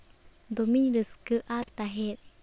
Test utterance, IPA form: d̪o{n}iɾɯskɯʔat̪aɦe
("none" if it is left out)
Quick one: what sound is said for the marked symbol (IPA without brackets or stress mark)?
m